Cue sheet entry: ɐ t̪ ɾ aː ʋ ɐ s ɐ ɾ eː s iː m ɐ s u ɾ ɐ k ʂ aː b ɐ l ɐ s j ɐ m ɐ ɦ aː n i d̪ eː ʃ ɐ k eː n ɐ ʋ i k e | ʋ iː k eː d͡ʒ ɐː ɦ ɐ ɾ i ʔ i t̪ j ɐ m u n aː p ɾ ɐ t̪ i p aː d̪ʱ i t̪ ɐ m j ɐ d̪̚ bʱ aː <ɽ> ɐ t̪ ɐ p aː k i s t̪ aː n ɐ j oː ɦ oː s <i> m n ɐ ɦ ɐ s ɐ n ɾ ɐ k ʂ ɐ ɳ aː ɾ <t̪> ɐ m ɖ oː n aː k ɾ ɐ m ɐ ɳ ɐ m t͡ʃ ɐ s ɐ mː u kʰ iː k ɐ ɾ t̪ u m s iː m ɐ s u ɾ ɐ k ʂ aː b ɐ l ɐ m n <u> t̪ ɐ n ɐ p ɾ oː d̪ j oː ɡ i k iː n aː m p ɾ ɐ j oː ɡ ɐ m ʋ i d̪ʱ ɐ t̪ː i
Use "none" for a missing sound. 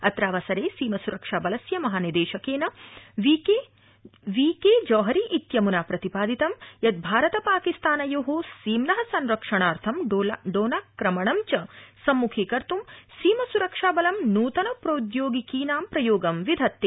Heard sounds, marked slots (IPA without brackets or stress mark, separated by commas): ɾ, iː, t̪ʰ, uː